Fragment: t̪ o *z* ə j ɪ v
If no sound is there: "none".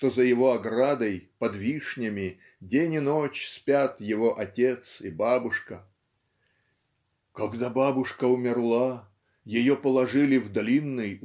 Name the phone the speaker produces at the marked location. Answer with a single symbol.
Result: z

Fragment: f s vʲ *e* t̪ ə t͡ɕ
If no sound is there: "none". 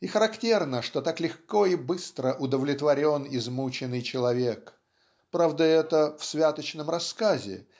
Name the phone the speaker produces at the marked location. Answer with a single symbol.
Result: a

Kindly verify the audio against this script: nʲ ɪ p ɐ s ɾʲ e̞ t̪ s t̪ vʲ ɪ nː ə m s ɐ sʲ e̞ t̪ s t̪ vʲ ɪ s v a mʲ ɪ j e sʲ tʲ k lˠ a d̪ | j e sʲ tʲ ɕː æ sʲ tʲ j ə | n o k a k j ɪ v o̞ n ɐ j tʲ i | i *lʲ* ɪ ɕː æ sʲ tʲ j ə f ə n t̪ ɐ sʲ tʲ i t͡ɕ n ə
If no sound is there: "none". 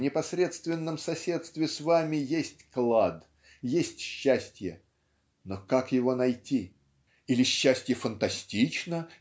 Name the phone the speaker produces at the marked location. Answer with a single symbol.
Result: lʲ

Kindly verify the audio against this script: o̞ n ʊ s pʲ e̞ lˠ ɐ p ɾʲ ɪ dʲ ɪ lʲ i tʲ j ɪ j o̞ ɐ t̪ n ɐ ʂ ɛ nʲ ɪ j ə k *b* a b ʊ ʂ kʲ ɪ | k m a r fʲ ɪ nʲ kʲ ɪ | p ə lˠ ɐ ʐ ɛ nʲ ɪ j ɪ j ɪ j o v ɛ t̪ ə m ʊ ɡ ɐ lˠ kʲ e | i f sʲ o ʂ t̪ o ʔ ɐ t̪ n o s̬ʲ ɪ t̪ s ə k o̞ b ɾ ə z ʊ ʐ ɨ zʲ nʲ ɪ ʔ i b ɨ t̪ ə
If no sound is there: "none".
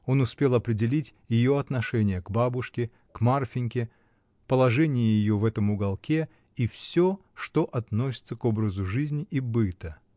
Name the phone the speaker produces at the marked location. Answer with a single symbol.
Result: b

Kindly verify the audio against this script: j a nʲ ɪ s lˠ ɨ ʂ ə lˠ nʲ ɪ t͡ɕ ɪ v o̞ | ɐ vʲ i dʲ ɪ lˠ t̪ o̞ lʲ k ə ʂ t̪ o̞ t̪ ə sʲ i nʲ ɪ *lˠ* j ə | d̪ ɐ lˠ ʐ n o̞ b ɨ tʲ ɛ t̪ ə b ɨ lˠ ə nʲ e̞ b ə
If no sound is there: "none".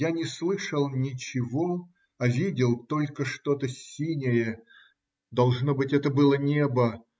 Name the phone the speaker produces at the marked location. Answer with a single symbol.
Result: none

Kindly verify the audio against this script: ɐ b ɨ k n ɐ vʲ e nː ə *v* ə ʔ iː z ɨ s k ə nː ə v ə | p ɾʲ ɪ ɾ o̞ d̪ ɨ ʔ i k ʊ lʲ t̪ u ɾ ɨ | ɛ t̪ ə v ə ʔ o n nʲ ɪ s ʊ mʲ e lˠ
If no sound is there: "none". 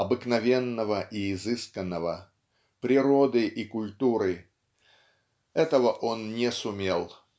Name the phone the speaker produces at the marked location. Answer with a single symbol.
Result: v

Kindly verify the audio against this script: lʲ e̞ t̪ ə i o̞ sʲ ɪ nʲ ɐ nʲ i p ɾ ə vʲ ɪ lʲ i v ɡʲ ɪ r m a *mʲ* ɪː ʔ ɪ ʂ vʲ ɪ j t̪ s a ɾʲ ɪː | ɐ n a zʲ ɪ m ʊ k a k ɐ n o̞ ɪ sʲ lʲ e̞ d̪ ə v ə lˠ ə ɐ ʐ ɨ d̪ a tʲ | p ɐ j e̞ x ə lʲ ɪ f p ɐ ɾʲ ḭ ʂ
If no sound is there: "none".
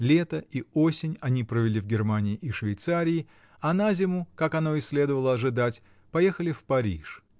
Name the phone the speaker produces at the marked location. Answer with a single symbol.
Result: nʲ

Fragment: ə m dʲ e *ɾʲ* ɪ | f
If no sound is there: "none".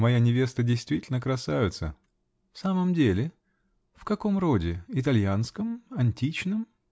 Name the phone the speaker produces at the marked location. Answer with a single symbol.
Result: lʲ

